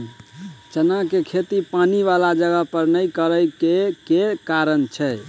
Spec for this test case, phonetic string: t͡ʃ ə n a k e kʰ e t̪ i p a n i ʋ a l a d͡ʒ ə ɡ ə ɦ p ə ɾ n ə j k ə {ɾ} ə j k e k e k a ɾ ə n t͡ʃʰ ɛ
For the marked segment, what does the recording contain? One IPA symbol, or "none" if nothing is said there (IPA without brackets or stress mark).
ɾ